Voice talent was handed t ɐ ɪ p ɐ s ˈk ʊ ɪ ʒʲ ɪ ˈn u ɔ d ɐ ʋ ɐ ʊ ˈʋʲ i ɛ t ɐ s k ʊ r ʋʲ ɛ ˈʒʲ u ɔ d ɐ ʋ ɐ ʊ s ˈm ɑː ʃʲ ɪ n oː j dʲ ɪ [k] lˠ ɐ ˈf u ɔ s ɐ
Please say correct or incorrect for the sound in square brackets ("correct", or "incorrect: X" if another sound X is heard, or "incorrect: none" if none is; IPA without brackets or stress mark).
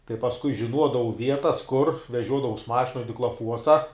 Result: correct